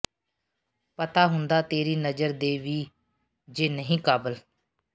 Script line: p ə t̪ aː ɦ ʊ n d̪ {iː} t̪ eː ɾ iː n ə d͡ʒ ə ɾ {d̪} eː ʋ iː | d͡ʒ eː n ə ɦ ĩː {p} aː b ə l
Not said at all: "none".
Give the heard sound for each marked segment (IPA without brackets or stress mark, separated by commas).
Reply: aː, d̪, k